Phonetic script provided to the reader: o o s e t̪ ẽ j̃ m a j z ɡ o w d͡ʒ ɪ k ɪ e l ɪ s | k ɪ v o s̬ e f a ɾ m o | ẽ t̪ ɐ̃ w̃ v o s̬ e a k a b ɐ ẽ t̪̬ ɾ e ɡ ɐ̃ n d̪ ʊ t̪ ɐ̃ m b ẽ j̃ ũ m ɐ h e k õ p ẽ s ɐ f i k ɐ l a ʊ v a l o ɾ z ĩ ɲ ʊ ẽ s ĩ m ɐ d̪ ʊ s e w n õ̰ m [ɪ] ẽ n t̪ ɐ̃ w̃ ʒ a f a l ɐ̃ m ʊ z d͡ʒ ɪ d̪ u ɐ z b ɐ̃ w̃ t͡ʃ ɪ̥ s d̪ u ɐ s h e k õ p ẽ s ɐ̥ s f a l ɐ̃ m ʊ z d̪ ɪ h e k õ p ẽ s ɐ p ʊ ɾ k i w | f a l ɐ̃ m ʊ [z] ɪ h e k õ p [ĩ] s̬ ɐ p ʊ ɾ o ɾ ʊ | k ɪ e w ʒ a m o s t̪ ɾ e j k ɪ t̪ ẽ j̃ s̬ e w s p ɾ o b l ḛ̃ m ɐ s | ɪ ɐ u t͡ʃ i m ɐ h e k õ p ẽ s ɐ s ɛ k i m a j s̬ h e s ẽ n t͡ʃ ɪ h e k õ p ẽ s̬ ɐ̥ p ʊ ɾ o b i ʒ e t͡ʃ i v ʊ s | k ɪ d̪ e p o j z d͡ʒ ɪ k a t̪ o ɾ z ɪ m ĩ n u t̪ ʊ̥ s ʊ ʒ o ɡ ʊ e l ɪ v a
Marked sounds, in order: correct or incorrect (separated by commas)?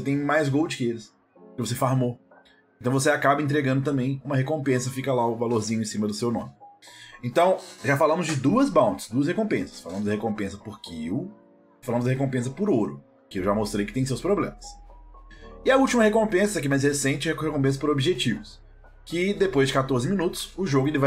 correct, correct, incorrect